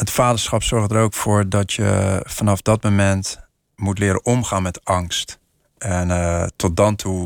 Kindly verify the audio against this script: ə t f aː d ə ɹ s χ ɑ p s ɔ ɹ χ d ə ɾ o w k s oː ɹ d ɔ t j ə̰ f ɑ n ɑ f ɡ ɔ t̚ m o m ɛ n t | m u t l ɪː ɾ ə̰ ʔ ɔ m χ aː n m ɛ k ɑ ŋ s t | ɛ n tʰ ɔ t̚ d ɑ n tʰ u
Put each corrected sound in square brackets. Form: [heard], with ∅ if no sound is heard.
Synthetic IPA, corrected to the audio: ə t f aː d ə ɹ s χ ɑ p s ɔ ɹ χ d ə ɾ o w k [f] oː ɹ d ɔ t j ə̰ f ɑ n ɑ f [d] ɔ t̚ m o m ɛ n t | m u t l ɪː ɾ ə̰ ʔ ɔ m χ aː n m ɛ [t] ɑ ŋ s t | ɛ n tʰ ɔ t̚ d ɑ n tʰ u